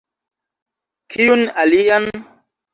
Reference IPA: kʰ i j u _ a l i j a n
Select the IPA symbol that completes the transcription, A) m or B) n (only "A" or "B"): B